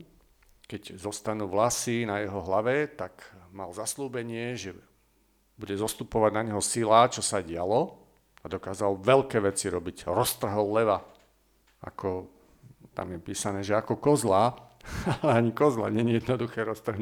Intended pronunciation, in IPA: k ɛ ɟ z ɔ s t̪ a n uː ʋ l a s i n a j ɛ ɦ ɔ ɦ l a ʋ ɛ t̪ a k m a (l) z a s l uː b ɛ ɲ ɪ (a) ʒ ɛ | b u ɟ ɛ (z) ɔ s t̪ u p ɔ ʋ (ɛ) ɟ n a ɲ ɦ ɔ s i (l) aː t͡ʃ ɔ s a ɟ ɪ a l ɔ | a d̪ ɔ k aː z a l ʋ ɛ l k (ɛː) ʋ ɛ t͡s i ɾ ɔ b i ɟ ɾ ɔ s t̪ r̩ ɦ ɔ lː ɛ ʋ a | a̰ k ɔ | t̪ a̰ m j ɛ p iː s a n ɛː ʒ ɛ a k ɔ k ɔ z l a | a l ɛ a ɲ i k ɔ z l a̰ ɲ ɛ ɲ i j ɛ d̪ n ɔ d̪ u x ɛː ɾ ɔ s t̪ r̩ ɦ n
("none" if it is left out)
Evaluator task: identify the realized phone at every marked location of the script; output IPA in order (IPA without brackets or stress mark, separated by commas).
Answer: l, ɛ, z, a, l, ɛː